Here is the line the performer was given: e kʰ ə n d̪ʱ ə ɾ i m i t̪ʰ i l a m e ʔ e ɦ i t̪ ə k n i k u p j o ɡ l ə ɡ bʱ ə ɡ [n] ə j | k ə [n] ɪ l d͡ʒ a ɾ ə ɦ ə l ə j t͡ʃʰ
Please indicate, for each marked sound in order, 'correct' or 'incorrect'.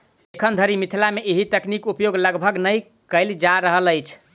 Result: correct, incorrect: none

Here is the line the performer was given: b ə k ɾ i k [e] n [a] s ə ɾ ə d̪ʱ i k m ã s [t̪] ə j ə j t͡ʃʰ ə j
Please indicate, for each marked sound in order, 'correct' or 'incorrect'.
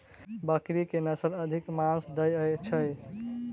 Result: correct, incorrect: ə, incorrect: d̪

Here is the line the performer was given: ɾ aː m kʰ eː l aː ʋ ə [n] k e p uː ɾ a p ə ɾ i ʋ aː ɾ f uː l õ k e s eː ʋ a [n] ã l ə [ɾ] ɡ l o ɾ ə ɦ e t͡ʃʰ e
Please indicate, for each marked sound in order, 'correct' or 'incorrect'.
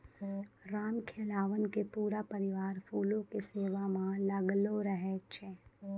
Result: correct, incorrect: m, incorrect: none

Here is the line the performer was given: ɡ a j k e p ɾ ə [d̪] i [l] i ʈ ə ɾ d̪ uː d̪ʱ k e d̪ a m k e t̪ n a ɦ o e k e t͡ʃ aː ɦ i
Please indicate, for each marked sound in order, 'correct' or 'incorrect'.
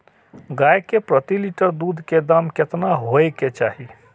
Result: incorrect: t̪, correct

